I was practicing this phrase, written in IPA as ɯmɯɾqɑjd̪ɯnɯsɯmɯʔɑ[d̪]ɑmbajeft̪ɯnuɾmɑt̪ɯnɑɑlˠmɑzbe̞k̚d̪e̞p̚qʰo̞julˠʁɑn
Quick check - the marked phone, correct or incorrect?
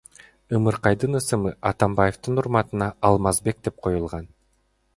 incorrect